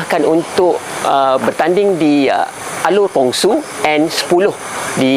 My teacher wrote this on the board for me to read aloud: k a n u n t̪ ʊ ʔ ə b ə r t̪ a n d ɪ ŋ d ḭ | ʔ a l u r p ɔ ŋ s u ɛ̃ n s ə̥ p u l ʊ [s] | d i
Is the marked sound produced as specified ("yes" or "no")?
no